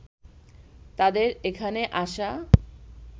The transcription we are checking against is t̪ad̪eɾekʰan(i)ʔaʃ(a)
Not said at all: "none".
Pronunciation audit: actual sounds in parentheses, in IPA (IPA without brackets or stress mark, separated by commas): e, a